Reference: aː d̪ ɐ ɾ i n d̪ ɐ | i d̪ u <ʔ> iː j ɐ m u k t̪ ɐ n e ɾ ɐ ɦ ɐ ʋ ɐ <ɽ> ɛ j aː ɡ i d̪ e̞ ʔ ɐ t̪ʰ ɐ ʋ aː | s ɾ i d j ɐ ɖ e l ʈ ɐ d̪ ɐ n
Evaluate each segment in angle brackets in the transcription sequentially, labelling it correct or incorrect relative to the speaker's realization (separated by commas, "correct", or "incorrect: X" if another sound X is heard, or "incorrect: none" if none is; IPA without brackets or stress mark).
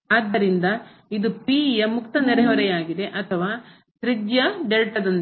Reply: incorrect: p, incorrect: ɾ